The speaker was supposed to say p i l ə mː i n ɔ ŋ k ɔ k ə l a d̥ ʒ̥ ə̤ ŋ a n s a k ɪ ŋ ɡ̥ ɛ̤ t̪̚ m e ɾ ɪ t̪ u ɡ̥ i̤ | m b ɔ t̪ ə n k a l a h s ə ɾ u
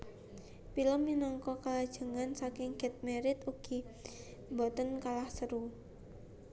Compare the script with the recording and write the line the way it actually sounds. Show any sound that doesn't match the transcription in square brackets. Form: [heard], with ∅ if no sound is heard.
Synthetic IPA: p i l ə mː i n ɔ ŋ k ɔ k [a] l a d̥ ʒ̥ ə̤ ŋ a n s a k ɪ ŋ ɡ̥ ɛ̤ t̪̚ m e ɾ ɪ t̪ u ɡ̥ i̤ | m b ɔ t̪ ə n k a l a h s ə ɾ u